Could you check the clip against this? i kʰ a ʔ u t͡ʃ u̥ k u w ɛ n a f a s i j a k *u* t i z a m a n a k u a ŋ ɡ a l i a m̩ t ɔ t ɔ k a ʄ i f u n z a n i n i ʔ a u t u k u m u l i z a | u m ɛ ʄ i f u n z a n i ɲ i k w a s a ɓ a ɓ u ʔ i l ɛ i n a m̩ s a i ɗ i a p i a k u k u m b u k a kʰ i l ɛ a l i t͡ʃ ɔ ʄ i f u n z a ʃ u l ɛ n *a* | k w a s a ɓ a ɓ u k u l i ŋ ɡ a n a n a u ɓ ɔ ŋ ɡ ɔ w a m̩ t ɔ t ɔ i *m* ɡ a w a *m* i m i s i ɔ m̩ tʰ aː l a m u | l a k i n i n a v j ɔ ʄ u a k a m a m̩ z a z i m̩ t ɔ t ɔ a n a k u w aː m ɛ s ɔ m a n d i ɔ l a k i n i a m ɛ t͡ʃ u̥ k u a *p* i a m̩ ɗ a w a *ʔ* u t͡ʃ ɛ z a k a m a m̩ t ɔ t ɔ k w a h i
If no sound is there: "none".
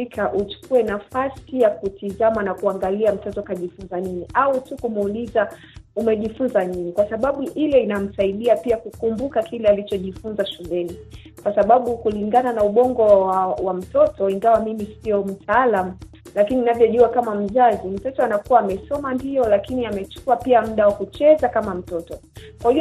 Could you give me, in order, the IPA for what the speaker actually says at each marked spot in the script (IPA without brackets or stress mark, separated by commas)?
u, i, ŋ, m, p, k